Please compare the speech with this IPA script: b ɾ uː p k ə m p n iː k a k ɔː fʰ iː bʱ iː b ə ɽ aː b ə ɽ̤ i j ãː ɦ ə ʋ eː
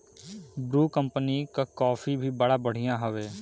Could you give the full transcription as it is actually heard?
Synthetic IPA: b ɾ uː k ə m p n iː k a k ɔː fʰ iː bʱ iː b ə ɽ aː b ə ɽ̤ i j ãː ɦ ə ʋ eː